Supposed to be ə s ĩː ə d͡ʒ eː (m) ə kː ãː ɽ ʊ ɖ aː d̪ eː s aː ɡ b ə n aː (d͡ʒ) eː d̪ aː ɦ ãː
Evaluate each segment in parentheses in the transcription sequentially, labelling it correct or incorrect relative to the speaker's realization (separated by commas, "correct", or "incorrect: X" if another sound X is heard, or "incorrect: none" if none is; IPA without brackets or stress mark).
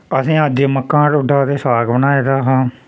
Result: correct, incorrect: none